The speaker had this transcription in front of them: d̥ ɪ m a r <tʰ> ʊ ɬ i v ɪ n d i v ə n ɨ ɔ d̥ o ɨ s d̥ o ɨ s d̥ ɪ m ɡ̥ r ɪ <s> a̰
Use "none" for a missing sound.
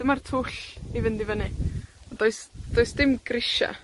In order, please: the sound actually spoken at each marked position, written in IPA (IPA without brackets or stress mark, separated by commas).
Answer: tʰ, ʃ